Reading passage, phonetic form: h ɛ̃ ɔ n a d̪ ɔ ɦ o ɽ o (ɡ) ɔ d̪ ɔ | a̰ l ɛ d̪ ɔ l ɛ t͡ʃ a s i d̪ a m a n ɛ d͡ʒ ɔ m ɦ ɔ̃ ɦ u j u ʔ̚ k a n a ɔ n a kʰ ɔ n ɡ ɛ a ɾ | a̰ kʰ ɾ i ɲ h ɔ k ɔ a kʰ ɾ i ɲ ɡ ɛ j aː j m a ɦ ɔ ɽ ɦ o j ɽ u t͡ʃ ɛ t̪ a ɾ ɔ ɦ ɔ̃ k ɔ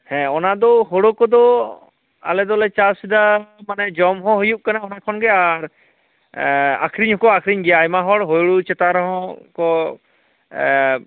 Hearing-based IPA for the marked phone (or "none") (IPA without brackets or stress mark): k